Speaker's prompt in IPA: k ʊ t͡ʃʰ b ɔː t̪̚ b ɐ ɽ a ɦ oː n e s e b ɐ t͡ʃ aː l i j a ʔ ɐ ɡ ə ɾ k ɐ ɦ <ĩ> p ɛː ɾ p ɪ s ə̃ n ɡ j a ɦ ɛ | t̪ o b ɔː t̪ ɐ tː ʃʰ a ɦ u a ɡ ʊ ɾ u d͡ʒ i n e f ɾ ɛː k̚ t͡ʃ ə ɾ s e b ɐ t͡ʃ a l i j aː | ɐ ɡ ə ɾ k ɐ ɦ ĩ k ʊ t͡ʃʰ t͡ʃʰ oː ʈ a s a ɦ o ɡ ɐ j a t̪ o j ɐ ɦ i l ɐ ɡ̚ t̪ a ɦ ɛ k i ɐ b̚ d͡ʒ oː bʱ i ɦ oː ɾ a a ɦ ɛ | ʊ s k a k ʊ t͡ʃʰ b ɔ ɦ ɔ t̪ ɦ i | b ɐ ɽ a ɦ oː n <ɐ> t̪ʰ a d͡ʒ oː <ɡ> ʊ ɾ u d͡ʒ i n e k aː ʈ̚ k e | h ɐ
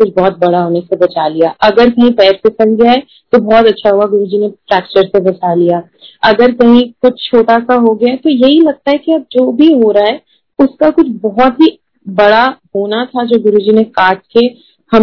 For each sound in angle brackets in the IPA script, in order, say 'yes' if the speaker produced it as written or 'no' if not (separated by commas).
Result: yes, no, yes